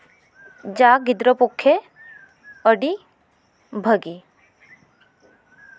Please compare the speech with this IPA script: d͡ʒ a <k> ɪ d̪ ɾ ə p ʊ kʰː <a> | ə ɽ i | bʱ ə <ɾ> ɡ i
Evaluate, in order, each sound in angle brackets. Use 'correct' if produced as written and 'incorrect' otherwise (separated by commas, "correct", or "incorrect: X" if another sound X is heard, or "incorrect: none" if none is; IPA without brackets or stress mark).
incorrect: ɡ, incorrect: e, incorrect: none